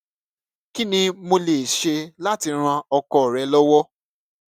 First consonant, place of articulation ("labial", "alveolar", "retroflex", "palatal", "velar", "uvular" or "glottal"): velar